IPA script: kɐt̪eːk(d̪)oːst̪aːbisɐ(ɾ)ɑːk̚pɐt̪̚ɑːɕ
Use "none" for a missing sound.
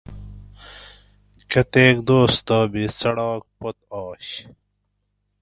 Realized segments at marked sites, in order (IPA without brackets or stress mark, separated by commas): d̪, ɽ